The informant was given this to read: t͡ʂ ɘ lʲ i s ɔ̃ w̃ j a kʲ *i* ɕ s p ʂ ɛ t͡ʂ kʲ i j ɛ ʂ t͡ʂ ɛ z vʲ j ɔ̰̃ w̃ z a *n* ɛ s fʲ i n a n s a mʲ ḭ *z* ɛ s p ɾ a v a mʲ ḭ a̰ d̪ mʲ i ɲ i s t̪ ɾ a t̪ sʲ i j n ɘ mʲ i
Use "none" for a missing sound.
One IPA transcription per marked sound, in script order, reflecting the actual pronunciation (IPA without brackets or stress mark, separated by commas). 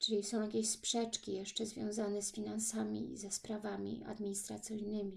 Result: e, n, z